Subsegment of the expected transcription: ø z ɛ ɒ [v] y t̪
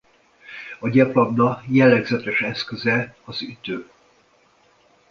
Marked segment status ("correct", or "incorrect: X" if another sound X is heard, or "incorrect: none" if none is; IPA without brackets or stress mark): incorrect: z